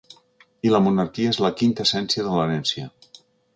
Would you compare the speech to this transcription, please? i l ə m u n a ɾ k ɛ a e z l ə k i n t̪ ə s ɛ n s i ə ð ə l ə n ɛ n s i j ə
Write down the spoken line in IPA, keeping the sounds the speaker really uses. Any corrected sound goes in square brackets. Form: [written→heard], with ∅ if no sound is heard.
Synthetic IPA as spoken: i l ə m u n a ɾ k [ɛ→i] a e z l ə k i n t̪ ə s ɛ n s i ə ð ə l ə n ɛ n s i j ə